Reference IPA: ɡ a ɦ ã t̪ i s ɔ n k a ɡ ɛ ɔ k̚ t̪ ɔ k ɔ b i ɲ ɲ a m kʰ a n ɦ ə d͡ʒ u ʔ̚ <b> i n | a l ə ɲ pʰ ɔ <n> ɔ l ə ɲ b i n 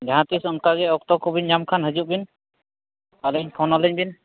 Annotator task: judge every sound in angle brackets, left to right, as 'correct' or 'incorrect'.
correct, correct

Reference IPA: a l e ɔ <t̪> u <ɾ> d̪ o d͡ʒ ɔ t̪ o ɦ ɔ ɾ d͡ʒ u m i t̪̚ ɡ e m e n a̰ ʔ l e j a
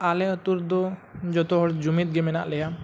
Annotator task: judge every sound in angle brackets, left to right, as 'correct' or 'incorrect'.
correct, correct

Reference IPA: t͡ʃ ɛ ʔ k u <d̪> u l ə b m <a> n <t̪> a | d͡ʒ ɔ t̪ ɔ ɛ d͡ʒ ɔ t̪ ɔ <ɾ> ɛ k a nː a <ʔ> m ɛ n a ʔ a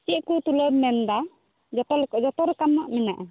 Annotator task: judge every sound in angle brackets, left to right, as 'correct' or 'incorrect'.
incorrect, incorrect, incorrect, correct, correct

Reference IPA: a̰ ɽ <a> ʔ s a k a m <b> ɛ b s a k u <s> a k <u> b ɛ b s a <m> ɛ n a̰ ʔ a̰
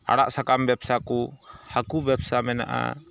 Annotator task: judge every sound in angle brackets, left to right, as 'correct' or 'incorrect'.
correct, correct, incorrect, correct, correct

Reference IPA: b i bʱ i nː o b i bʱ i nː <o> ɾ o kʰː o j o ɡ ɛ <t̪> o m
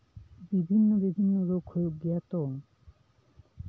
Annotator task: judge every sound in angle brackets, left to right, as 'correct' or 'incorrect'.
correct, correct

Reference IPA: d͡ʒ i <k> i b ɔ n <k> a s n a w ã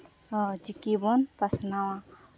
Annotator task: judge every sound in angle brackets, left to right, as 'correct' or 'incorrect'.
correct, incorrect

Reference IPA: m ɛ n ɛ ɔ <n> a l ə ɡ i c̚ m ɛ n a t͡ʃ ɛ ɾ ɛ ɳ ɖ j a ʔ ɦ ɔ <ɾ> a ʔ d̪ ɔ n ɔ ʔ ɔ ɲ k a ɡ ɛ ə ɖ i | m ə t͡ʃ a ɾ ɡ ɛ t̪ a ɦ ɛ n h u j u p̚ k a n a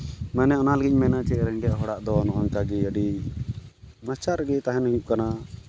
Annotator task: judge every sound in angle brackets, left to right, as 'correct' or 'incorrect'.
correct, incorrect

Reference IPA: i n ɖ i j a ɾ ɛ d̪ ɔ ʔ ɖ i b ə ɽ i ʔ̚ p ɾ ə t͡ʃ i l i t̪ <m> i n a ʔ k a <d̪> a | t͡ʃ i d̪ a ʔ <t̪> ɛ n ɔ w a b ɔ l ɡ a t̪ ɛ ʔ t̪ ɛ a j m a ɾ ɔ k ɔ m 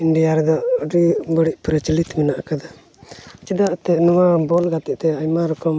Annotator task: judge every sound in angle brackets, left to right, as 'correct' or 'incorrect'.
correct, correct, correct

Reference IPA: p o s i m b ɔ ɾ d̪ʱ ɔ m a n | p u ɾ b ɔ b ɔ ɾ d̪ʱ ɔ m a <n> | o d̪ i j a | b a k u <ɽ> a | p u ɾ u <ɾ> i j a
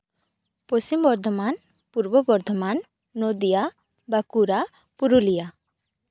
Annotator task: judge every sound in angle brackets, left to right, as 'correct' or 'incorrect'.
incorrect, incorrect, incorrect

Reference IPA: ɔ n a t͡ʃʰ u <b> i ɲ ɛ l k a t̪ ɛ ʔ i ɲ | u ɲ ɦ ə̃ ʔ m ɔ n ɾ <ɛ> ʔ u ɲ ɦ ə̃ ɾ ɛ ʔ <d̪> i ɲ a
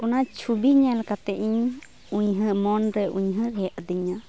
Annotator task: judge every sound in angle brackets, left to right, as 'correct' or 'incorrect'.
correct, correct, correct

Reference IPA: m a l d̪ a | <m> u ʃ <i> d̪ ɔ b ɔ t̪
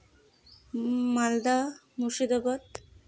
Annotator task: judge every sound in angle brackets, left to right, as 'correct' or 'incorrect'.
correct, correct

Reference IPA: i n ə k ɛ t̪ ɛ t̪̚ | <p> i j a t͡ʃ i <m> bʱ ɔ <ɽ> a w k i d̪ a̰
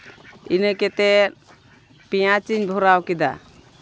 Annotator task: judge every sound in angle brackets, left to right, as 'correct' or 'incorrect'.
correct, incorrect, incorrect

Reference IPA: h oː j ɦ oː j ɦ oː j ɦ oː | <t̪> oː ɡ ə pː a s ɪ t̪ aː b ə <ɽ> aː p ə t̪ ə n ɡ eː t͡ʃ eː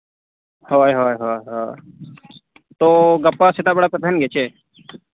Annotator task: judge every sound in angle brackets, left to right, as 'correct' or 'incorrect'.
correct, correct

